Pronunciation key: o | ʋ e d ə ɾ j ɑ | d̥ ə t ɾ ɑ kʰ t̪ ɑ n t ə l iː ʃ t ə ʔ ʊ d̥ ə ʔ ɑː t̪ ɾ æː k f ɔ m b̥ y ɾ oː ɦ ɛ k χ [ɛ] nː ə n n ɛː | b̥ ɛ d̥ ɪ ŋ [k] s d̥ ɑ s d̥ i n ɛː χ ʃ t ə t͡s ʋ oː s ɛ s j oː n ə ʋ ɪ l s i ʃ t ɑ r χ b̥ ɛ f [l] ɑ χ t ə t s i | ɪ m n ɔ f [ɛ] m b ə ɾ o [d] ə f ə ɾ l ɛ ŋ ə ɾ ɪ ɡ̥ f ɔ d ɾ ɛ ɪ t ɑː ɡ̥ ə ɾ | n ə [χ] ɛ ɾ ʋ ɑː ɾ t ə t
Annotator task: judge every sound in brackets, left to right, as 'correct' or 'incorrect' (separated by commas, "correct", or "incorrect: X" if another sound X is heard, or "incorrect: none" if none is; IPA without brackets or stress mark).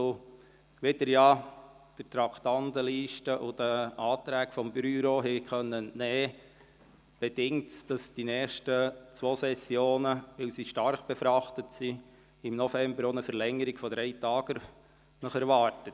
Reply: incorrect: œ, incorrect: t, incorrect: ɾ, correct, incorrect: n, correct